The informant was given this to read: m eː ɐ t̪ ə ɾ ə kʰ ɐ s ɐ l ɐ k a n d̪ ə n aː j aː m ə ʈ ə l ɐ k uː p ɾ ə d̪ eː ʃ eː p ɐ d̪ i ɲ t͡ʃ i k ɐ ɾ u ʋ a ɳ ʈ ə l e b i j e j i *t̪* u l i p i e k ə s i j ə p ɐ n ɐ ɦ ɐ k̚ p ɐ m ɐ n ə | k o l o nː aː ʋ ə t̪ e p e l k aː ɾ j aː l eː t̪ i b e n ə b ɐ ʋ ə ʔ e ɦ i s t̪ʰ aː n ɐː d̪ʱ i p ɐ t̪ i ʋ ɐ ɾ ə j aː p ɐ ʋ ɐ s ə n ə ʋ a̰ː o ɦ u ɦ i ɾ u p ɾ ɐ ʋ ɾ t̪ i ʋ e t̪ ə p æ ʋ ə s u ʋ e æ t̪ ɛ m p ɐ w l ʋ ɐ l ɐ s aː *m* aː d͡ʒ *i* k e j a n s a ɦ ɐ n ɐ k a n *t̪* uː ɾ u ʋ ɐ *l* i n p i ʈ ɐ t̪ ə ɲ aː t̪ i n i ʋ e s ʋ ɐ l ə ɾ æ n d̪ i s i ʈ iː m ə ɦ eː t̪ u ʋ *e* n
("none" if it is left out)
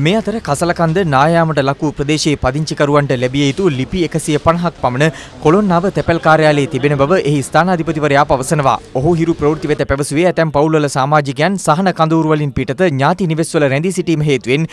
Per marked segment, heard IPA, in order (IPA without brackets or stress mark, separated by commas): t̪, m, i, d̪, l, e